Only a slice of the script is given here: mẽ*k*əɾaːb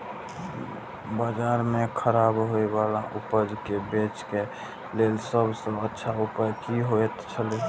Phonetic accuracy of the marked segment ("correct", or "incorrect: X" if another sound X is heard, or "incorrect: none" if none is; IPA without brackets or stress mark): incorrect: kʰ